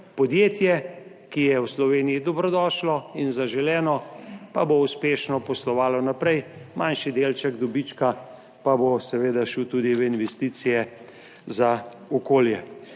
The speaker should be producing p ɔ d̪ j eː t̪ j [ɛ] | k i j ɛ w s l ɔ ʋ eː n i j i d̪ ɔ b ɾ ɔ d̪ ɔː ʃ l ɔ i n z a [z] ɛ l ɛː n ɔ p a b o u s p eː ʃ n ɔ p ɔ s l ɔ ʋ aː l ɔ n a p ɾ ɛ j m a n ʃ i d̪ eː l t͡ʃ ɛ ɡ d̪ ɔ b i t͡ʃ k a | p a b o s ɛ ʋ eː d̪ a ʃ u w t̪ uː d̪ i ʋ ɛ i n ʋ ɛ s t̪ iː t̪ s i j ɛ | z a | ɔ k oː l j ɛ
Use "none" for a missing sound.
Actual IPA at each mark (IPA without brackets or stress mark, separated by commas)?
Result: ɛ, ʒ